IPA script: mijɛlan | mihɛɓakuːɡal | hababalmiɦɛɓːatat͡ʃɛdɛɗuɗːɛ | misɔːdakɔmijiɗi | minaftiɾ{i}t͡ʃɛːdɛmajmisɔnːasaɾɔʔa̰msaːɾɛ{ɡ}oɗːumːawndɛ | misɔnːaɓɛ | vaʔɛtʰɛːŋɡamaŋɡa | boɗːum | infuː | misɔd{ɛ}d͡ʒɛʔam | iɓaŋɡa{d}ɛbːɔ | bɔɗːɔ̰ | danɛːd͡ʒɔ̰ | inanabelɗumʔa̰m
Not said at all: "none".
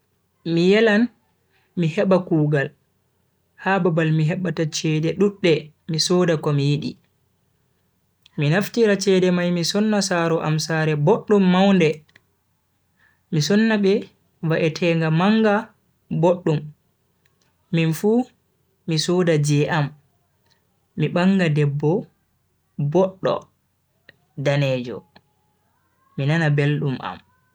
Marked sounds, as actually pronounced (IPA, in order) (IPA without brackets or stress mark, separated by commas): a, b, a, d